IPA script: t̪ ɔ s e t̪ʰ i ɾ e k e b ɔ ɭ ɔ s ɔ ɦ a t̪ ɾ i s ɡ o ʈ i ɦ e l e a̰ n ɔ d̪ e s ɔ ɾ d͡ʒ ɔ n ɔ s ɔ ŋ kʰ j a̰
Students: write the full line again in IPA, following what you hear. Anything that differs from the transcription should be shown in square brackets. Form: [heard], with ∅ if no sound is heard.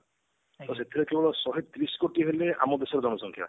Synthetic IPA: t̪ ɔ s e t̪ʰ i ɾ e k e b ɔ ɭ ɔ s ɔ ɦ [e] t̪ ɾ i s [k] o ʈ i ɦ e l e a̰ [m] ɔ d̪ e s ɔ ɾ d͡ʒ ɔ n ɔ s ɔ ŋ kʰ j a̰